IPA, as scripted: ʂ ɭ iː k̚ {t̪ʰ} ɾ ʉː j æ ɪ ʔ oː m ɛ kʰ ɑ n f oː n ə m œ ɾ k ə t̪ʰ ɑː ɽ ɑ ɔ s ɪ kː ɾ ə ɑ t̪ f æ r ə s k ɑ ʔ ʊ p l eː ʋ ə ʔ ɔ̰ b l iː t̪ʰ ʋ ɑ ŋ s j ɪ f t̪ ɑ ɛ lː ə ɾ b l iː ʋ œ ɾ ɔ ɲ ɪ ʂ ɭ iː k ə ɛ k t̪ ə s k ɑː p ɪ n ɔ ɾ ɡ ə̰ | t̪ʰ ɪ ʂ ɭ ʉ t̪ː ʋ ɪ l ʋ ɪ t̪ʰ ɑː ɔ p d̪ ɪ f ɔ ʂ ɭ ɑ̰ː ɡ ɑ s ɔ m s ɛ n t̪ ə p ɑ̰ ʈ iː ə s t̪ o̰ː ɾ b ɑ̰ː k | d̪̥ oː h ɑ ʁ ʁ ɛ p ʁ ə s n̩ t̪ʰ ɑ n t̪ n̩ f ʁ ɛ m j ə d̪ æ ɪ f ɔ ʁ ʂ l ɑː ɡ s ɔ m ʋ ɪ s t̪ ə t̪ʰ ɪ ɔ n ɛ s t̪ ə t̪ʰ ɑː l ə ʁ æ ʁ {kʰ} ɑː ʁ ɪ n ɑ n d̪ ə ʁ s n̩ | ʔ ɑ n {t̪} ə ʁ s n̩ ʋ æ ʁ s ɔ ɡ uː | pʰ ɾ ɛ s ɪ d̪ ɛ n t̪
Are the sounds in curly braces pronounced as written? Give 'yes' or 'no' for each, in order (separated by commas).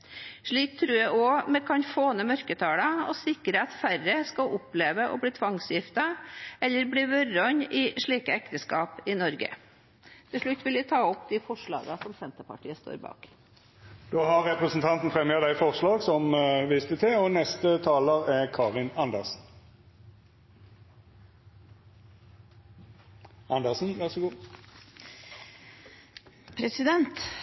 yes, yes, no